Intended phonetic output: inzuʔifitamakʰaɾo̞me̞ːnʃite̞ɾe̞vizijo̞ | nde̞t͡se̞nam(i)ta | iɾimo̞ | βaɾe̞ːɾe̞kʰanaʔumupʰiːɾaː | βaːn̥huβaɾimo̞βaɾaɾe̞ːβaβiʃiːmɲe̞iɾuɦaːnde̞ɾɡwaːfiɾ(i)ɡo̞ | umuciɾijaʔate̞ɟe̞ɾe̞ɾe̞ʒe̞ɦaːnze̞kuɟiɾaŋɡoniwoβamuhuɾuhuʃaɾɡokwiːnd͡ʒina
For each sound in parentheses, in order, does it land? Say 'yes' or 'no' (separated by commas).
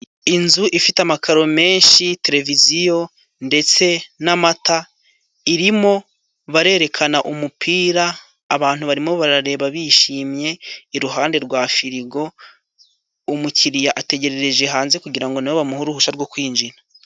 no, yes